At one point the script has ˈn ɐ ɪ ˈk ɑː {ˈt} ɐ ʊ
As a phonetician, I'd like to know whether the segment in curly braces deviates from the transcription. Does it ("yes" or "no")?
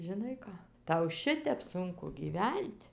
no